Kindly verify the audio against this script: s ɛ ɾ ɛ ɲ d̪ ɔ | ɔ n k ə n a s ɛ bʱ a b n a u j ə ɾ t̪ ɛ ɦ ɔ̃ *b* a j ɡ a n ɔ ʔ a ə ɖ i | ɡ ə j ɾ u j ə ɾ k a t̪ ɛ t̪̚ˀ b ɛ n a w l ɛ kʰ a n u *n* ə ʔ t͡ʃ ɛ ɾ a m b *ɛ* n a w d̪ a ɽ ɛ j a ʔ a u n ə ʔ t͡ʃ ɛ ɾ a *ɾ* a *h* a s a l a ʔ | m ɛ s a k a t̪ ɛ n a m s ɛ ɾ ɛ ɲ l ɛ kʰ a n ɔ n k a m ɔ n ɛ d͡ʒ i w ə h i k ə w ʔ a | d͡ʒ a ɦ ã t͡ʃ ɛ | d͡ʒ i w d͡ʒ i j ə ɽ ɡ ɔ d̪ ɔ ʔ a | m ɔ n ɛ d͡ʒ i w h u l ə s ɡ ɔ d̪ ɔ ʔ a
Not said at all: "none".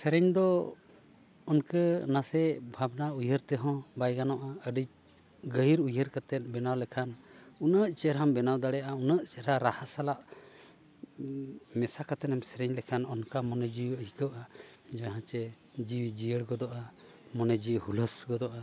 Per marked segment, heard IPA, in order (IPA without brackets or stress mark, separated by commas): b, n, ɛ, ɾ, h